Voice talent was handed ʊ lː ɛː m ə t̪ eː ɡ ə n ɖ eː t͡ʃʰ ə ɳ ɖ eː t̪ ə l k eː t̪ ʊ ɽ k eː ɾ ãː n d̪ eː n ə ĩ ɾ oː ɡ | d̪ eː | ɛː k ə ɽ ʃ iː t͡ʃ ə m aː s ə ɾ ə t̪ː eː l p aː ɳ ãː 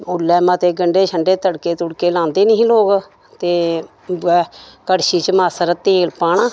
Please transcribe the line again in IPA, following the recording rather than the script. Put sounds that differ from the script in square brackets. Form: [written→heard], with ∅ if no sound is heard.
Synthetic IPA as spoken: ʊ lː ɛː m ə t̪ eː ɡ ə [n→ɳ] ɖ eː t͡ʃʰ ə ɳ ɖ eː t̪ ə [l→ɽ] k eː t̪ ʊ ɽ k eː [ɾ→l] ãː n d̪ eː n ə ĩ [ɾ→l] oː ɡ | [d̪→t̪] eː | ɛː k ə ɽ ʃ iː t͡ʃ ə m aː s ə ɾ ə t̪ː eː l p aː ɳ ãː